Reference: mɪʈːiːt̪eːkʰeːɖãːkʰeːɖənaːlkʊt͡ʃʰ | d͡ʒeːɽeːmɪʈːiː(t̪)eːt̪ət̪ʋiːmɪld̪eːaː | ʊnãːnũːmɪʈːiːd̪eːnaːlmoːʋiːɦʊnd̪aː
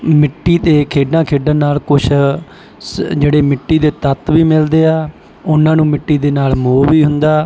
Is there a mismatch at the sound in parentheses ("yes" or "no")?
yes